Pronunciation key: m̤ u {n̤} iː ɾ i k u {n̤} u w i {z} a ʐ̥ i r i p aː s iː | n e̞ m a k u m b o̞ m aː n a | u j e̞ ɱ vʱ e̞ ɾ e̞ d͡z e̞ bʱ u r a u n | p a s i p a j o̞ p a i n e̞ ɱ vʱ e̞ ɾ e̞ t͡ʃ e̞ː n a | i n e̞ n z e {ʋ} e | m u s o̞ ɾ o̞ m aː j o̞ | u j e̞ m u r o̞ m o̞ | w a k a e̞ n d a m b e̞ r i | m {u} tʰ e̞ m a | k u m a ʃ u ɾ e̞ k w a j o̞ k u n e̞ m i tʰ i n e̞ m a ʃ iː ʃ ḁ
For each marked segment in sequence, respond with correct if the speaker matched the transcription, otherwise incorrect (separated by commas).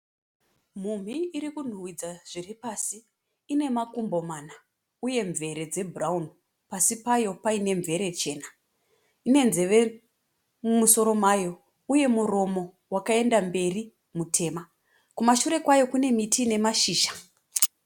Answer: incorrect, correct, incorrect, correct, correct